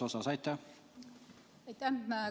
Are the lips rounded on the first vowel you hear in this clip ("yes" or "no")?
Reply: yes